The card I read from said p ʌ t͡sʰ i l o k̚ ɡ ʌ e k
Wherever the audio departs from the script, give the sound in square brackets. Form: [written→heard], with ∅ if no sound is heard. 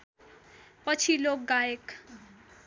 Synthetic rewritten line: p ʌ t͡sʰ i l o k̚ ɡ [ʌ→a] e k

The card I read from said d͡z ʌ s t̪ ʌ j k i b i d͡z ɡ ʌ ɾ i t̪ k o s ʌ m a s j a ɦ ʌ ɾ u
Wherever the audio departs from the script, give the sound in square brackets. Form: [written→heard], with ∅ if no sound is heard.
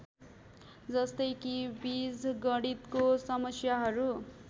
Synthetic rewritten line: d͡z ʌ s t̪ ʌ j k i b i d͡z ɡ ʌ [ɾ→ɽ] i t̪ k o s ʌ m [a→ʌ] s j a ɦ ʌ ɾ u

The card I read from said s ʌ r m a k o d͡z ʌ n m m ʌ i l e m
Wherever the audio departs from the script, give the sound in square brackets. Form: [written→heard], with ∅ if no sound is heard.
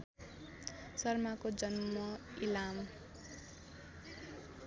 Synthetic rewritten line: s ʌ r m a k o d͡z ʌ n m m ʌ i l [e→a] m

